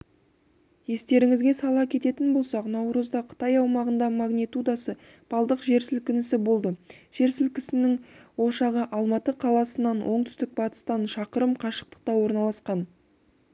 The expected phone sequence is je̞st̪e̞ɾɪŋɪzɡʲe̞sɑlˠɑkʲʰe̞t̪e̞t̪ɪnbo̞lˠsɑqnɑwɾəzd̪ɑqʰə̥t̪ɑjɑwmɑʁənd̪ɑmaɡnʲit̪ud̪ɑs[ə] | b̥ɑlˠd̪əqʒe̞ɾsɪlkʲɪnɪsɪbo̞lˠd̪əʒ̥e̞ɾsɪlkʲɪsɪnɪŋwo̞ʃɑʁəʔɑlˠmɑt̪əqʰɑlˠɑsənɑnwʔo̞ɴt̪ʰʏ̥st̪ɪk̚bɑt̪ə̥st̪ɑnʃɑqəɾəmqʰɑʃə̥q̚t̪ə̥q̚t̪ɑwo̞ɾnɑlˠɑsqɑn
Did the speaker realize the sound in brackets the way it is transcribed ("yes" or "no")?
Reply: yes